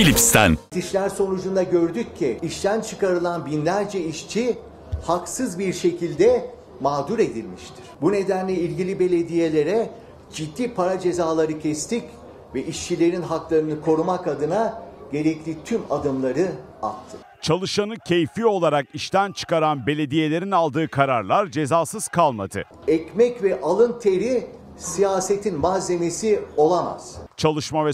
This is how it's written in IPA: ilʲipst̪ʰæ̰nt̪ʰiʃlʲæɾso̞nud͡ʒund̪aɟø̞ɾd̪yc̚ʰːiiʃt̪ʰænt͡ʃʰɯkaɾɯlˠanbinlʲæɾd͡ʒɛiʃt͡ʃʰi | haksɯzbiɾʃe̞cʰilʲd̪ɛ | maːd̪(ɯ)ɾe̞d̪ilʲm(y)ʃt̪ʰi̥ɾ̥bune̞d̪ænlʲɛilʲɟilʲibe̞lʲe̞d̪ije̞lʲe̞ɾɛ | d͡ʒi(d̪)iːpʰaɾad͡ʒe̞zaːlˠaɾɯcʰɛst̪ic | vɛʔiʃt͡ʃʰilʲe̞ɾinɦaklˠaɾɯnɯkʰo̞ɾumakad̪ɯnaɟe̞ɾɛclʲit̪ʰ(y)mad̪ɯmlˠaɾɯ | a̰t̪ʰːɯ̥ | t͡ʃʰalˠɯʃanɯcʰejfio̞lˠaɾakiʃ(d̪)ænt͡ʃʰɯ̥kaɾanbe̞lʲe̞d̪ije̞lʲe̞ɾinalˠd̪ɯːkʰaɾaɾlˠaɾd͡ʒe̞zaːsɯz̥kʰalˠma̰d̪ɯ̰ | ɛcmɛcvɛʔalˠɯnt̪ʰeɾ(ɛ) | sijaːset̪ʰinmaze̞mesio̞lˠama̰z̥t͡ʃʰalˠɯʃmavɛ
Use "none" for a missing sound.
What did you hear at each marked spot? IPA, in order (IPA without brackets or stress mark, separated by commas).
u, i, d̪ː, y, t̪, i